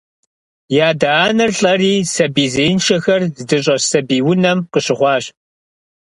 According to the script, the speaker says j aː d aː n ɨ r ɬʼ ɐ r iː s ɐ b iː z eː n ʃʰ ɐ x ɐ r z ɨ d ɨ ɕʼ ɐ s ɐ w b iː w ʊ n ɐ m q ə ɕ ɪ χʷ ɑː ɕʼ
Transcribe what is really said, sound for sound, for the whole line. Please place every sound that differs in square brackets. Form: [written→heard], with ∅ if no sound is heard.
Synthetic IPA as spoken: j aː d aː n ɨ r ɬʼ ɐ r iː s ɐ b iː z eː n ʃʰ ɐ x ɐ r z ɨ d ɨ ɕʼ ɐ s ɐ [w→∅] b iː w ʊ n ɐ m q ə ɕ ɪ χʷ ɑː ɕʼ